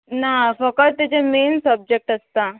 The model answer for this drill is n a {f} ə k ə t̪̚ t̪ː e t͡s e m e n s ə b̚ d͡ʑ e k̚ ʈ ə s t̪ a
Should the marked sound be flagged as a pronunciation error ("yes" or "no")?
no